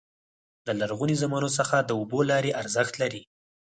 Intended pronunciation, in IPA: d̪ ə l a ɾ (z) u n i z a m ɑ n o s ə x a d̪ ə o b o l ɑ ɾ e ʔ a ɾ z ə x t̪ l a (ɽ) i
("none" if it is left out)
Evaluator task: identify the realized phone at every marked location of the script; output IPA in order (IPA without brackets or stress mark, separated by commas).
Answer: ɣ, ɾ